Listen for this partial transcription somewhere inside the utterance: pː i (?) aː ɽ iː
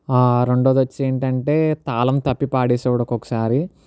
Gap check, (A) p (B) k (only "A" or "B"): A